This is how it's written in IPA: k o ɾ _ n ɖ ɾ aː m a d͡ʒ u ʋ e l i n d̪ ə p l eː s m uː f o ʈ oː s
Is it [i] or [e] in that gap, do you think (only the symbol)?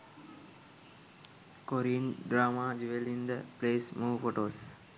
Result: i